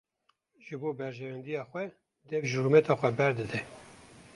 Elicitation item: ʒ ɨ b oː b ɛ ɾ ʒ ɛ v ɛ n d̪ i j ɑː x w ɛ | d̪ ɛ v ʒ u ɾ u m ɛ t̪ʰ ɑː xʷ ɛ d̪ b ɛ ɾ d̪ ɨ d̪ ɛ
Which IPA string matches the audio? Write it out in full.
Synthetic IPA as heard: ʒ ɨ b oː b ɛ ɾ ʒ ɛ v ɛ n d̪ i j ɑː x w ɛ | d̪ ɛ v ʒ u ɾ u m ɛ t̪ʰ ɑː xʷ ɛ b ɛ ɾ d̪ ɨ d̪ ɛ